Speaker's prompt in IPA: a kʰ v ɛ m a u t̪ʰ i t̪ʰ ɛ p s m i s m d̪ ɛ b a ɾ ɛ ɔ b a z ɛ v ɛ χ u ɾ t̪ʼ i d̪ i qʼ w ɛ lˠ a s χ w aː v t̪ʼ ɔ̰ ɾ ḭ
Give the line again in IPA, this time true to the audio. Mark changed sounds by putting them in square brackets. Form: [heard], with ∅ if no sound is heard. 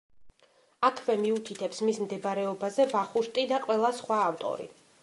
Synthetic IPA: a kʰ v ɛ m [i] u t̪ʰ i t̪ʰ ɛ p s m i s m d̪ ɛ b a ɾ ɛ ɔ b a z ɛ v [a] χ u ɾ t̪ʼ i d̪ [a] qʼ w ɛ lˠ a s χ w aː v t̪ʼ ɔ̰ ɾ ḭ